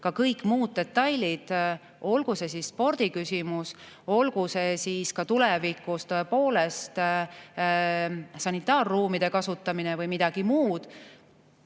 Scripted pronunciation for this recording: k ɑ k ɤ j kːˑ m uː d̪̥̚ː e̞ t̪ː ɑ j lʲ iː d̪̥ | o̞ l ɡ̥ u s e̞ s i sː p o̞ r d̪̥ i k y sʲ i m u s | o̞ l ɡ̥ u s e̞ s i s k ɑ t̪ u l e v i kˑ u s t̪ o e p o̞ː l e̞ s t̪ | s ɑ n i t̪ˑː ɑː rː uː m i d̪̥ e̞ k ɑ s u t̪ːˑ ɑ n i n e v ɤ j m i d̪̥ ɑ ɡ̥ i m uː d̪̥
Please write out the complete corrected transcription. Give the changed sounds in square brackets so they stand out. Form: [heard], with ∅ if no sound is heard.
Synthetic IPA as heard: k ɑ k ɤ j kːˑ m uː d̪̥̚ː e̞ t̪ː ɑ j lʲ [i] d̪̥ | o̞ l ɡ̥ u s e̞ s i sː p o̞ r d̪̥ i k y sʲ i m u s | o̞ l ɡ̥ u s e̞ s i s k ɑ t̪ u l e v i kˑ u s t̪ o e p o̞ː l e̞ s t̪ | s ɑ n i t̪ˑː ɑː rː uː m i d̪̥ e̞ k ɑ s u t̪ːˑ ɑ [m] i n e v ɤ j m i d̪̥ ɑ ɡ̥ i m uː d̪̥